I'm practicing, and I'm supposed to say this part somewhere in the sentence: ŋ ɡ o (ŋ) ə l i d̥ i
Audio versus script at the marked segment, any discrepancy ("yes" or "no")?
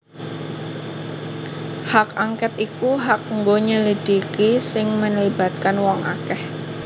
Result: yes